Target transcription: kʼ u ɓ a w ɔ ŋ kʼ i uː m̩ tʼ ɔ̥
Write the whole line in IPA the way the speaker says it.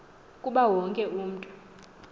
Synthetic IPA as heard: kʼ u ɓ a w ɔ ŋ kʼ ɛ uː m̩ tʼ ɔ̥